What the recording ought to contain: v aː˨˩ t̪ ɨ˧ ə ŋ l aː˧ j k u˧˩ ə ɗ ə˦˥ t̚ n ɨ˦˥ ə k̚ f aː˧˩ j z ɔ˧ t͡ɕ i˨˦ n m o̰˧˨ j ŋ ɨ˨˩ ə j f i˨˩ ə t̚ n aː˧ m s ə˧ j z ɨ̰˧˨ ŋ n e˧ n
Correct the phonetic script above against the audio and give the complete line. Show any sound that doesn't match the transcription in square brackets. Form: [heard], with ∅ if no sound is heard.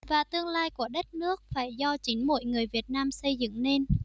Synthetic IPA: v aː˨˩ t̪ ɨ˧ ə ŋ l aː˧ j k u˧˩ ə ɗ ə˦˥ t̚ n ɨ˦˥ ə k̚ f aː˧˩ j z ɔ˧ t͡ɕ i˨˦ n m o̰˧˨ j ŋ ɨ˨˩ ə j [v] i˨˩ ə t̚ n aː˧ m s ə˧ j z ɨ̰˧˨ ŋ n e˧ n

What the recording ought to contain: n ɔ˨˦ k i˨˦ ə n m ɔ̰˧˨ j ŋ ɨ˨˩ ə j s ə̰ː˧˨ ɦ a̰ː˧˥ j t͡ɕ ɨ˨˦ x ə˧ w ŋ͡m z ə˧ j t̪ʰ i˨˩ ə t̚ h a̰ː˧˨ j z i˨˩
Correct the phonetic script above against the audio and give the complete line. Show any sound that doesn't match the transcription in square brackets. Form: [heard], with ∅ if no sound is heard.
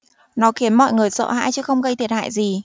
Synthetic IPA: n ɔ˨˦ [x] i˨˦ ə n m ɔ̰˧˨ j ŋ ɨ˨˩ ə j s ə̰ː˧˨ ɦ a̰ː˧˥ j t͡ɕ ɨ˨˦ x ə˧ w ŋ͡m [ɣ] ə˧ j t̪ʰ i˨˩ ə t̚ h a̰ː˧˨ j z i˨˩

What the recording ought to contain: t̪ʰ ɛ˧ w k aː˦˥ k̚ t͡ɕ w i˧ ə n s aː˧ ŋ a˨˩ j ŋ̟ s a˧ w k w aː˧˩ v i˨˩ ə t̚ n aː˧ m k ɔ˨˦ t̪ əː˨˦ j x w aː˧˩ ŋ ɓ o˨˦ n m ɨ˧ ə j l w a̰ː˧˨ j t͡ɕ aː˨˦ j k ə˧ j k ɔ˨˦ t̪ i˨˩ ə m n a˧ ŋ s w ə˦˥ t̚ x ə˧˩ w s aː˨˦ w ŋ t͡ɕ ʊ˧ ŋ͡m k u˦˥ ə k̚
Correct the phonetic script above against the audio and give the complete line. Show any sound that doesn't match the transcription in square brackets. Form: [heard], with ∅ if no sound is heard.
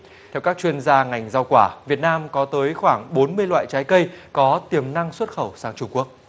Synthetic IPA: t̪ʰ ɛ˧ w k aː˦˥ k̚ t͡ɕ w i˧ ə n [z] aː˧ ŋ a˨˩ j ŋ̟ [z] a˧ w k w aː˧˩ v i˨˩ ə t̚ n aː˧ m k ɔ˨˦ t̪ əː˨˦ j x w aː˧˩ ŋ ɓ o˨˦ n m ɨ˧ ə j l w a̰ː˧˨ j t͡ɕ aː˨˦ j k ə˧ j k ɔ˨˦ t̪ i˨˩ ə m n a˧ ŋ s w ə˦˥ t̚ x ə˧˩ w s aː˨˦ [∅] ŋ t͡ɕ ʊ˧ ŋ͡m k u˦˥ ə k̚

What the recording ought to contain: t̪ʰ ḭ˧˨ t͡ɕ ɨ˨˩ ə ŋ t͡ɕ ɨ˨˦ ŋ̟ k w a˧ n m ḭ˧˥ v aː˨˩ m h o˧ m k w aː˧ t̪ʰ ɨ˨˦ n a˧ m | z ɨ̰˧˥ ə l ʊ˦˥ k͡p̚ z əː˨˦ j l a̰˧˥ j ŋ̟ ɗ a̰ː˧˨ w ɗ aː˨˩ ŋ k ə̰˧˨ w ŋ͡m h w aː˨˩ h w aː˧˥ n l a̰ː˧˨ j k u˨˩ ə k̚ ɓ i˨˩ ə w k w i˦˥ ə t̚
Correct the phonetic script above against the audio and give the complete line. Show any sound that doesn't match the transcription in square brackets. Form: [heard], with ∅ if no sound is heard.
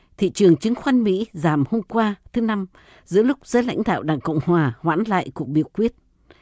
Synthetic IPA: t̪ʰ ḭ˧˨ t͡ɕ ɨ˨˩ ə ŋ t͡ɕ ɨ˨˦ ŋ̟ [x] w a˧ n m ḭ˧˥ [z] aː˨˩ m h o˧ m k w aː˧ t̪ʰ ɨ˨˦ n a˧ m | z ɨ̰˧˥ ə l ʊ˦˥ k͡p̚ z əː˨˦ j l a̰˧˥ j ŋ̟ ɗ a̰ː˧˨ w ɗ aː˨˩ ŋ k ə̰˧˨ w ŋ͡m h w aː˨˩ h w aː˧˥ n l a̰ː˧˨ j k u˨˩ ə k̚ ɓ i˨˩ ə w k w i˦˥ ə t̚

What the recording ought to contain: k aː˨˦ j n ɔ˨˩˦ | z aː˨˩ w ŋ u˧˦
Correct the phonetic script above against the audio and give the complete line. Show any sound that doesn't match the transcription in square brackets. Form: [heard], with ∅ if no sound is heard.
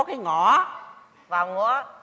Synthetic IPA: k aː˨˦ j [ŋ] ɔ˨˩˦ | [v] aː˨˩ w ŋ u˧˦

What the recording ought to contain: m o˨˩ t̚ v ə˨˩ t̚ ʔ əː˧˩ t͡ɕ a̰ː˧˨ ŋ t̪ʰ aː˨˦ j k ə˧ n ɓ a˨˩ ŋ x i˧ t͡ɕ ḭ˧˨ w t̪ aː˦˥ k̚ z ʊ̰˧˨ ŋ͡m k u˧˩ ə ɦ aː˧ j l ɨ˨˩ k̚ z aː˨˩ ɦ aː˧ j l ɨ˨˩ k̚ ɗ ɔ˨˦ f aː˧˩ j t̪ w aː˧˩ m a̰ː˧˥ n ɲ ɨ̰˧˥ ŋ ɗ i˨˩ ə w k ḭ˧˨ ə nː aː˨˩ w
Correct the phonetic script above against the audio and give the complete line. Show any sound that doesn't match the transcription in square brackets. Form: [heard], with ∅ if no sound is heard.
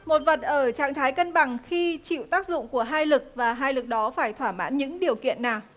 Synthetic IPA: m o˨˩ t̚ v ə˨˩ t̚ ʔ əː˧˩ t͡ɕ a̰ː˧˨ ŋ t̪ʰ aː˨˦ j k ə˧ n ɓ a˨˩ ŋ x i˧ t͡ɕ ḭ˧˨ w t̪ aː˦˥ k̚ z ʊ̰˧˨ ŋ͡m k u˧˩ ə ɦ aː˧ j l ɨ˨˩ k̚ [v] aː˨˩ ɦ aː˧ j l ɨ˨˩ k̚ ɗ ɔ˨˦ f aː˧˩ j [t̪ʰ] w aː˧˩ m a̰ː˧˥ n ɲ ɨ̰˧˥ ŋ ɗ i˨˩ ə w k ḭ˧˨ ə nː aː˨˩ w

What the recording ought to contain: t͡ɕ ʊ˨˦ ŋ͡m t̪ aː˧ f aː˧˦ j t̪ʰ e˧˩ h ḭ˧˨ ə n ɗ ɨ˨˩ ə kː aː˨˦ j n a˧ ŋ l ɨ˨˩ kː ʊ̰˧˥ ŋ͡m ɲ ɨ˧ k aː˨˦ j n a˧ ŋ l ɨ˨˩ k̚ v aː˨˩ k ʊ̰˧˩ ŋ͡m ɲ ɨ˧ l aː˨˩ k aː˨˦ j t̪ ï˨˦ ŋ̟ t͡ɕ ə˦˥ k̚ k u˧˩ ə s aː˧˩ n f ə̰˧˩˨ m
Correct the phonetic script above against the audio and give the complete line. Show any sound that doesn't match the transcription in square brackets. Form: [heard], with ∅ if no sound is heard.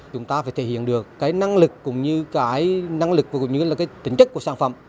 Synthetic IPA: t͡ɕ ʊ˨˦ ŋ͡m t̪ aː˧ f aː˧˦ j t̪ʰ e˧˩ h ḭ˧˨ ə n ɗ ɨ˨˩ ə kː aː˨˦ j n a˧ ŋ l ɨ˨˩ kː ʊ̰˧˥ ŋ͡m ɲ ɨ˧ k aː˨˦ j n a˧ ŋ l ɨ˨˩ k̚ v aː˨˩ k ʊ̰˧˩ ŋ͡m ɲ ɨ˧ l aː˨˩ k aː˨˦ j t̪ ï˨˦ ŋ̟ t͡ɕ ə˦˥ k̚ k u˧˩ ə s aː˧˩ n f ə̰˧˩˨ m

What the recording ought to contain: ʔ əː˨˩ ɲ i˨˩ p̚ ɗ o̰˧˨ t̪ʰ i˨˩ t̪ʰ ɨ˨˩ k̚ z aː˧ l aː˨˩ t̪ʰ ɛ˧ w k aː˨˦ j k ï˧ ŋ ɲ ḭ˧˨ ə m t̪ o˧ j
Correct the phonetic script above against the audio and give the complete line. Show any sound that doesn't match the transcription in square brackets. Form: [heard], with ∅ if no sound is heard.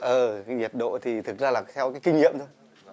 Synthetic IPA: ʔ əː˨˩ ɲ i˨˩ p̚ ɗ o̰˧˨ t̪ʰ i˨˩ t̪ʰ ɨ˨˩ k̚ z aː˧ l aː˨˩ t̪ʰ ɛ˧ w k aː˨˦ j k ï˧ ŋ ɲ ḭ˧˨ ə m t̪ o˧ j

